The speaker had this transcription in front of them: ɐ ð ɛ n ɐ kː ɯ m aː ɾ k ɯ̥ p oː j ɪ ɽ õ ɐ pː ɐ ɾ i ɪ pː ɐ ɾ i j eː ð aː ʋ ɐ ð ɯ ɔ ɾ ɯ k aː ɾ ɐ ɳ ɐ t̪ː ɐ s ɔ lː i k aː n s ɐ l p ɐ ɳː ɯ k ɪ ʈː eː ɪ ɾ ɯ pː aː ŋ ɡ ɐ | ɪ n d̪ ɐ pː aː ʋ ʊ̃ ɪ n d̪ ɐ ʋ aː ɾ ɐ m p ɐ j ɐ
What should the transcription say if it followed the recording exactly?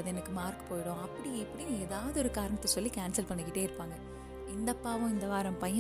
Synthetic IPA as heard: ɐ ð ɛ n ɐ kː ɯ m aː ɾ k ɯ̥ p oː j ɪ ɽ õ ɐ pː ɐ ɽ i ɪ pː ɐ ɽ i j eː ð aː ʋ ɐ ð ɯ ɔ ɾ ɯ k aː ɾ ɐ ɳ ɐ t̪ː ɐ s ɔ lː i k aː n s ɐ l p ɐ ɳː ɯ k ɪ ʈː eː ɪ ɾ ɯ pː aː ŋ ɡ ɐ | ɪ n d̪ ɐ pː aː ʋ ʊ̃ ɪ n d̪ ɐ ʋ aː ɾ ɐ m p ɐ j ɐ